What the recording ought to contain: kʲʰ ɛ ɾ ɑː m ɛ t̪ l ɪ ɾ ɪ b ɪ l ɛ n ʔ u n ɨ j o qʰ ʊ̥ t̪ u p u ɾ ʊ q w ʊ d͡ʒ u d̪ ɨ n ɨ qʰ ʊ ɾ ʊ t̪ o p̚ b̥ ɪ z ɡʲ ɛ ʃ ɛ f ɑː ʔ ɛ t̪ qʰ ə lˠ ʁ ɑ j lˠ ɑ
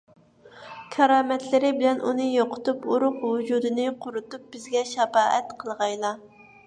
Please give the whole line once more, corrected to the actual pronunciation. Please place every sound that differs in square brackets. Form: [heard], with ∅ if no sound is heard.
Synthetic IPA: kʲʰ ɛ ɾ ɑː m ɛ t̪ l ɪ ɾ ɪ b ɪ l ɛ n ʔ u n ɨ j o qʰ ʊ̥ t̪ u p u ɾ ʊ q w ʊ d͡ʒ u d̪ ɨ n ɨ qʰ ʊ ɾ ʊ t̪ [u] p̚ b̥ ɪ z ɡʲ ɛ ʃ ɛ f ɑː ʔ ɛ t̪ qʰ ə lˠ ʁ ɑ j lˠ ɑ